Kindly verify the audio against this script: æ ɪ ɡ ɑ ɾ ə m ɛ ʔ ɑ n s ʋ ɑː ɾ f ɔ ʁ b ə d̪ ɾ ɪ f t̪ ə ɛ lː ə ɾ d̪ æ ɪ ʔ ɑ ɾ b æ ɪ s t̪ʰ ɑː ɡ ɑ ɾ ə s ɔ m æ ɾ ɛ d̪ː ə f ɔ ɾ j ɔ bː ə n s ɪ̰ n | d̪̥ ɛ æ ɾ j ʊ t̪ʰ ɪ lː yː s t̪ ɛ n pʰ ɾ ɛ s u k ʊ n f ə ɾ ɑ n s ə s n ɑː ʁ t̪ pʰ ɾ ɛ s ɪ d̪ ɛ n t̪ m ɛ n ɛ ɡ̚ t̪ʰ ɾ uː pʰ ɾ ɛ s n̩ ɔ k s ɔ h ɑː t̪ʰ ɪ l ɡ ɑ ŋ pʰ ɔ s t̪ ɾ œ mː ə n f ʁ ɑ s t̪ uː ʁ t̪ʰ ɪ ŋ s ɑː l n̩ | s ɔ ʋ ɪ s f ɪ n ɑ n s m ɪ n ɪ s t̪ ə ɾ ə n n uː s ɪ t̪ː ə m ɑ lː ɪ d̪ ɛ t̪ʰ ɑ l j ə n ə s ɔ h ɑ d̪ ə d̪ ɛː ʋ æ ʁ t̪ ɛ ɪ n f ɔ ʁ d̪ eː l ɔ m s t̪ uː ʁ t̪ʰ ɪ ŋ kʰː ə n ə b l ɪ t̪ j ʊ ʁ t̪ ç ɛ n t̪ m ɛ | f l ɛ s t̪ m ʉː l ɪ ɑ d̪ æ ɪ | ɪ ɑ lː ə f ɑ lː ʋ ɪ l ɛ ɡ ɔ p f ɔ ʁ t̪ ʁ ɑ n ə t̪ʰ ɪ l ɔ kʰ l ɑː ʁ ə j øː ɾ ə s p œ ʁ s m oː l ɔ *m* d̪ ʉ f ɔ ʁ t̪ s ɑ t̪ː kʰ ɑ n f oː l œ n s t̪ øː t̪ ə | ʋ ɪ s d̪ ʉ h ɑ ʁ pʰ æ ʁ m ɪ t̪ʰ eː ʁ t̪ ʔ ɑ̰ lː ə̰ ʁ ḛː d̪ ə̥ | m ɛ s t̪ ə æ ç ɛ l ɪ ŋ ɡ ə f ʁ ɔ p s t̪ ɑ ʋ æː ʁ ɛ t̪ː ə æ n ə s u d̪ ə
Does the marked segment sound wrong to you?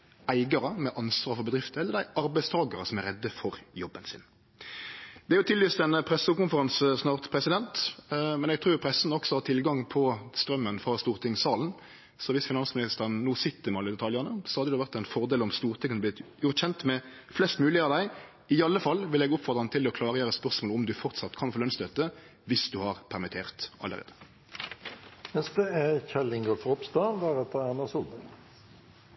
no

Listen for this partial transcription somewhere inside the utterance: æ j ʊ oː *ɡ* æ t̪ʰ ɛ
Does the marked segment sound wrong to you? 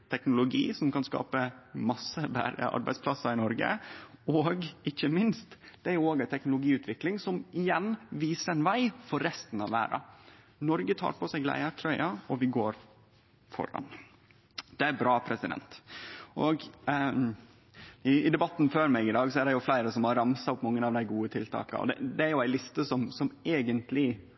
no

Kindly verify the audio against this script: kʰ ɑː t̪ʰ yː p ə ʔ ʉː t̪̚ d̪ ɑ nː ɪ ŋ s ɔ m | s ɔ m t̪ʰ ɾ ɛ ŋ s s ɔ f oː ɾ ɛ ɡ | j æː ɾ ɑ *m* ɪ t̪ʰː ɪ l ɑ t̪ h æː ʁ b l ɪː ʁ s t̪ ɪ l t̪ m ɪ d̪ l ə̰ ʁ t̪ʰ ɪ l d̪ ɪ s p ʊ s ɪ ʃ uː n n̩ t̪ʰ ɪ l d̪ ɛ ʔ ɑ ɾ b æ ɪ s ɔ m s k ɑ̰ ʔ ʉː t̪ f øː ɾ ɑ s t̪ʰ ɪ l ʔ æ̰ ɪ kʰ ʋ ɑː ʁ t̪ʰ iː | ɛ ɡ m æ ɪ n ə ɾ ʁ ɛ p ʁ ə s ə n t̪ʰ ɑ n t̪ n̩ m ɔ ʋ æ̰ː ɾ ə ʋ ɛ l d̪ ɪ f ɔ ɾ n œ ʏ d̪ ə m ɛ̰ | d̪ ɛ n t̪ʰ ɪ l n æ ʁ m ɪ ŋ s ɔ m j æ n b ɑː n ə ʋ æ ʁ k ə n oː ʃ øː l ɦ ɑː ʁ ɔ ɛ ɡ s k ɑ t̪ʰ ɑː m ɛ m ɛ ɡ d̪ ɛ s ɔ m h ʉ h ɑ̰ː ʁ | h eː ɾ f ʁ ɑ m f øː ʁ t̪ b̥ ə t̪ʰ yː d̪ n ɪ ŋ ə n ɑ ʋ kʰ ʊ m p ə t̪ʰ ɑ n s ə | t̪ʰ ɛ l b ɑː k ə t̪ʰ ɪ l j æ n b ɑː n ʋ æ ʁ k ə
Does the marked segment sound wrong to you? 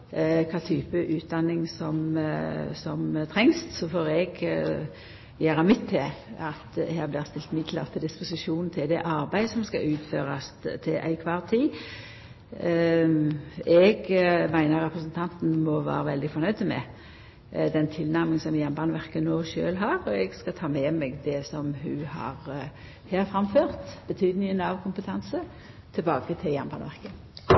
no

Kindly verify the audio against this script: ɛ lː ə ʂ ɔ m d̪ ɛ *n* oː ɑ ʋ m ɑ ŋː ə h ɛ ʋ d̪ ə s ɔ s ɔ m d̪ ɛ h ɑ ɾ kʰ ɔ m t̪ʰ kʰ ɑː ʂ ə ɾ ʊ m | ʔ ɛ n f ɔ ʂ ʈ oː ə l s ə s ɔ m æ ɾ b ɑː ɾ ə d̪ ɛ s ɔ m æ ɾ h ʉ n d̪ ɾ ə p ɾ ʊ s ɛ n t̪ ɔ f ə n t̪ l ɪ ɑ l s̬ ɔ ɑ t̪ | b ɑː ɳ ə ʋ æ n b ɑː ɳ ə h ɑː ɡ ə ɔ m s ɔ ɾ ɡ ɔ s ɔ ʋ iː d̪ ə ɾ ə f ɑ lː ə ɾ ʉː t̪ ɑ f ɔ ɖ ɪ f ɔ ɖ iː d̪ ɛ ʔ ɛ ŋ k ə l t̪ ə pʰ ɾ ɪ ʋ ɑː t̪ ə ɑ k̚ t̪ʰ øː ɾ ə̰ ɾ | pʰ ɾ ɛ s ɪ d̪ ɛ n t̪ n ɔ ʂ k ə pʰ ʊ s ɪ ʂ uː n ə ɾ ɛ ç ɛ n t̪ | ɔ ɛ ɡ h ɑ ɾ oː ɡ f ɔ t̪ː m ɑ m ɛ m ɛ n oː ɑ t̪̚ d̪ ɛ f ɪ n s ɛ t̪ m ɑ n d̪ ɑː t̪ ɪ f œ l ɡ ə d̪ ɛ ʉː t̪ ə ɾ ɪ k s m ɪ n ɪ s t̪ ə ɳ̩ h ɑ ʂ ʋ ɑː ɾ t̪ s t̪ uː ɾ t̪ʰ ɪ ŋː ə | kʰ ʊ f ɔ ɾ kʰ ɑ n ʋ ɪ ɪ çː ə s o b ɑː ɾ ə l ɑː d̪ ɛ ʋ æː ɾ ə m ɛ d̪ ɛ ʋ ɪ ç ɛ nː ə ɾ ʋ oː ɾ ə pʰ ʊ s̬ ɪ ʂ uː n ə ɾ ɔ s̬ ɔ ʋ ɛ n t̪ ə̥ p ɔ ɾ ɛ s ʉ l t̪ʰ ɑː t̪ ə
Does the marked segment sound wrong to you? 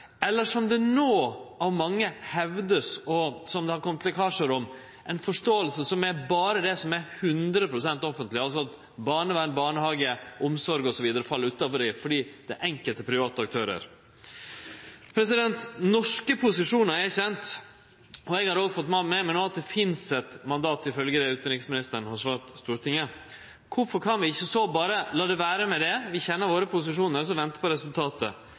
no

